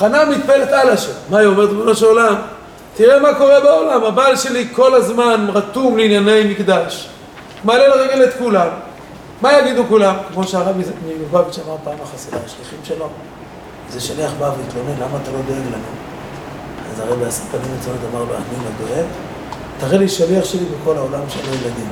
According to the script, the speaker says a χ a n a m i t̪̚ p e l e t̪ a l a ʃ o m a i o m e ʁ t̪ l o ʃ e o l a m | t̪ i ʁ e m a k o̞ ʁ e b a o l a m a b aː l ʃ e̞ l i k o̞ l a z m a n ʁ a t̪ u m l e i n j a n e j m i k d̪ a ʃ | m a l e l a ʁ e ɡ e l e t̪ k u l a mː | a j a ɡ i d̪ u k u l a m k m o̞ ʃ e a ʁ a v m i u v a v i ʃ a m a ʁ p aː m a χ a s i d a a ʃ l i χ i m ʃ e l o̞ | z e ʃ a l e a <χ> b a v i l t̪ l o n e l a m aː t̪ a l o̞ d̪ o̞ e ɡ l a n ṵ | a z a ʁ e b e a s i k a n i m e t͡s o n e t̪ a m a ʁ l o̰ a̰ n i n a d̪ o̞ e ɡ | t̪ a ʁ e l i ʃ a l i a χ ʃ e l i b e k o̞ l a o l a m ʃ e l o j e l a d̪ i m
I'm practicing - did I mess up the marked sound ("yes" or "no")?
no